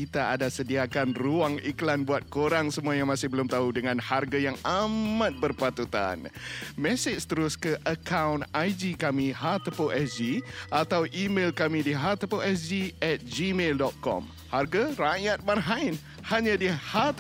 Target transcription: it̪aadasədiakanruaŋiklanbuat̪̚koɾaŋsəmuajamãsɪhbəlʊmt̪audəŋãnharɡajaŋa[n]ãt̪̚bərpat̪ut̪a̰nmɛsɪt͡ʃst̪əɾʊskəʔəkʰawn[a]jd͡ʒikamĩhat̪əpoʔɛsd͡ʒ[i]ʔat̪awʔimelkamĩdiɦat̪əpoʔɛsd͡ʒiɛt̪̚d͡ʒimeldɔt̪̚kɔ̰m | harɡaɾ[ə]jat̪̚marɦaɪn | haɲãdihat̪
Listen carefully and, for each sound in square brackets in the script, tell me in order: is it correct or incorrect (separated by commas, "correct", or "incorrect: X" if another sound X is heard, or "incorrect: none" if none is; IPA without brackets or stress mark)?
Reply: incorrect: m, correct, correct, incorrect: a